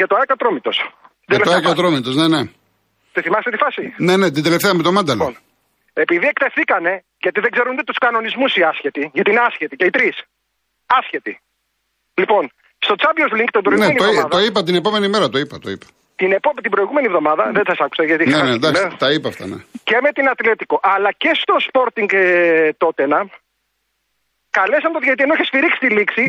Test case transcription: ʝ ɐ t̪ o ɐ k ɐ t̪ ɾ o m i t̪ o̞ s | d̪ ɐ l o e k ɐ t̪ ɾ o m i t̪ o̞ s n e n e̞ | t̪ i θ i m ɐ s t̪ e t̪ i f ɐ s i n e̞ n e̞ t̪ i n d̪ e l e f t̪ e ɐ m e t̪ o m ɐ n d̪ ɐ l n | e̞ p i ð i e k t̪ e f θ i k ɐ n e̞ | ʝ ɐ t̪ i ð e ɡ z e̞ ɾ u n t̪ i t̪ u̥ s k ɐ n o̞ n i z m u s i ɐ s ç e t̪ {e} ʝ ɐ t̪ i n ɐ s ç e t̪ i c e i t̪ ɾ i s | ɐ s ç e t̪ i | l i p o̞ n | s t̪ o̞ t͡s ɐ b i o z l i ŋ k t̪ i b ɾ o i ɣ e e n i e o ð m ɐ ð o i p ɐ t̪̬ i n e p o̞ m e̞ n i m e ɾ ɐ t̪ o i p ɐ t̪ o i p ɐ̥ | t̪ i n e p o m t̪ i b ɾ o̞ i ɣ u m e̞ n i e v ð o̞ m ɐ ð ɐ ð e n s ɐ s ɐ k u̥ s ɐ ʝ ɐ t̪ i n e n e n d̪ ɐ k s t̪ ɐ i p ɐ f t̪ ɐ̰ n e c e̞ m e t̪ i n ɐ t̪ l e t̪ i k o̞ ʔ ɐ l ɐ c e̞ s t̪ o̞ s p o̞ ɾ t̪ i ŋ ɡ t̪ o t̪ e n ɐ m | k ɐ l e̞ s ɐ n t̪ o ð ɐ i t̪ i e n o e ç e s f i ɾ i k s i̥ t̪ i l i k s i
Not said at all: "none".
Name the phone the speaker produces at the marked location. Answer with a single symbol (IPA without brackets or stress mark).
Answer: i